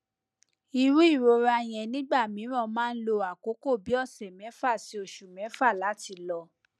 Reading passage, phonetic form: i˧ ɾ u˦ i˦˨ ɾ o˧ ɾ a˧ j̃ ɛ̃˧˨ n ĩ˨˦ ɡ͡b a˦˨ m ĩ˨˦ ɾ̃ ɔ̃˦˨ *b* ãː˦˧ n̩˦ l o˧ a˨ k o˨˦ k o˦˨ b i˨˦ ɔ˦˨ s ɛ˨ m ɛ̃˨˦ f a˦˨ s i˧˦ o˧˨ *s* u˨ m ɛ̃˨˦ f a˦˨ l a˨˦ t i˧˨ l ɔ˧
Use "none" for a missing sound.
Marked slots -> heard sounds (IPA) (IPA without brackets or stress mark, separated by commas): m, ʃ